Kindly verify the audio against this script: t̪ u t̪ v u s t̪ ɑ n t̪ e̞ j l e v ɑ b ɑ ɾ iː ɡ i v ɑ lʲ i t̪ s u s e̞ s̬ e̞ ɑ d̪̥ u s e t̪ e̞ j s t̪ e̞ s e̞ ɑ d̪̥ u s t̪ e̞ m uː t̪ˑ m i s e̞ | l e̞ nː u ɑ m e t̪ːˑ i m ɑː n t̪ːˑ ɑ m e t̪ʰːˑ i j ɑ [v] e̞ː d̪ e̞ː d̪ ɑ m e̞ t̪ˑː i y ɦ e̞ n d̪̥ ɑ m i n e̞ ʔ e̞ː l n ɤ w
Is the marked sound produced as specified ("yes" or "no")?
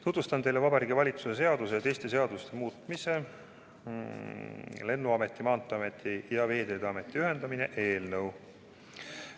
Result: yes